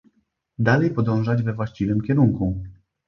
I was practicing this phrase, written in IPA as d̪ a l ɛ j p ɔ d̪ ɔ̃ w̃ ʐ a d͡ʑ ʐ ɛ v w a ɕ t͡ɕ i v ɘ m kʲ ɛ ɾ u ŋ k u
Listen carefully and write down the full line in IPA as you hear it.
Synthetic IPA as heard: d̪ a l ɛ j p ɔ d̪ ɔ̃ w̃ ʐ a d͡ʑ v ɛ v w a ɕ t͡ɕ i v ɘ m kʲ ɛ ɾ u ŋ k u